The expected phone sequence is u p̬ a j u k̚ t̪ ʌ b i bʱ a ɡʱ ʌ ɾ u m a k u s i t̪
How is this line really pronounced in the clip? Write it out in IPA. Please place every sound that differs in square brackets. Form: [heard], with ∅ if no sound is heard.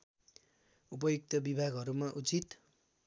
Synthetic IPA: u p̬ [ʌ] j u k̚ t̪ ʌ b i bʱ a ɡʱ ʌ ɾ u m a [ʔ] u [t͡s] i t̪